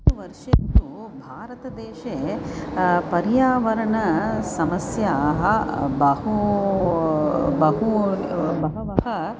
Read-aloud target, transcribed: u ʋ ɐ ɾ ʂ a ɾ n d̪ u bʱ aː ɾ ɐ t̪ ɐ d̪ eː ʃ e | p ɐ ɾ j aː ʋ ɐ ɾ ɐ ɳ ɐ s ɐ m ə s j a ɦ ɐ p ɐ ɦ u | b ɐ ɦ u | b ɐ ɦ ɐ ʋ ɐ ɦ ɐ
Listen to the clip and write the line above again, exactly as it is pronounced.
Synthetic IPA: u ʋ ɐ ɾ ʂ ɐ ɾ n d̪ u bʱ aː ɾ ɐ t̪ ɐ d̪ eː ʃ e | p ɐ ɾ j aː ʋ ɐ ɾ ɐ ɳ ɐ s ɐ m ɐ s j a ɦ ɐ b ɐ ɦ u | b ɐ ɦ u | b ɐ ɦ ɐ ʋ ɐ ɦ ɐ